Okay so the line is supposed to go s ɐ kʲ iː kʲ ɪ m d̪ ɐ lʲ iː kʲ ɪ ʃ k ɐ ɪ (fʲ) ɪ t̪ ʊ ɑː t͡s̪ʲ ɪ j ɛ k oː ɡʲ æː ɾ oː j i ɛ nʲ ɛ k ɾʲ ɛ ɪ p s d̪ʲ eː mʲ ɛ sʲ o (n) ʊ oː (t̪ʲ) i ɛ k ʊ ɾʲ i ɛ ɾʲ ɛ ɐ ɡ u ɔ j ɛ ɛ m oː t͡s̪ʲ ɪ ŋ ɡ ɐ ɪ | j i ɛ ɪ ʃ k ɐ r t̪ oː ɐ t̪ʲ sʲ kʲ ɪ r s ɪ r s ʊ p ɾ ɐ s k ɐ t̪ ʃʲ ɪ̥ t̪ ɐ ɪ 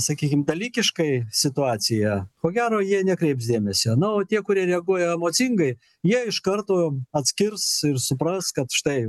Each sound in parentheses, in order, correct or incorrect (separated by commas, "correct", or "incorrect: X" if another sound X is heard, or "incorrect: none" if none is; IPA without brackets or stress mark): incorrect: sʲ, correct, correct